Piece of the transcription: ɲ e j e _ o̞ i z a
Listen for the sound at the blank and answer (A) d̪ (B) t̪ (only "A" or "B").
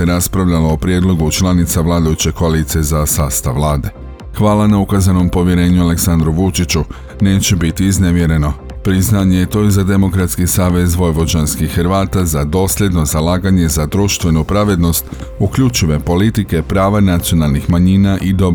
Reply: B